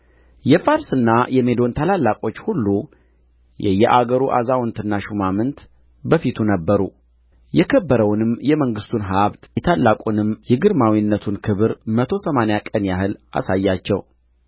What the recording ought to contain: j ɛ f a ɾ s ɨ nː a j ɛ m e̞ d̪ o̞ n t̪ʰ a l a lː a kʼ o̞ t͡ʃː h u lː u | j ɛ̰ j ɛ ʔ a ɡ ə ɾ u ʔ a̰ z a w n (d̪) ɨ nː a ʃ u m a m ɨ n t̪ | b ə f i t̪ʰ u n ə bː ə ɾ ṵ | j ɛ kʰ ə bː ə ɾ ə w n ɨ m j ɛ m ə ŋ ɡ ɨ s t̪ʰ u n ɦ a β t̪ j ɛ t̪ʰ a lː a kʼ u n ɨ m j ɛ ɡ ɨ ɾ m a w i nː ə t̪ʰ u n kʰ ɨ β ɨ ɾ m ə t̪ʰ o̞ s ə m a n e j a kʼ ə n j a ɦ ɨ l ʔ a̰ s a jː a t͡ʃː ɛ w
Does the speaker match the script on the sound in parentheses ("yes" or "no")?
no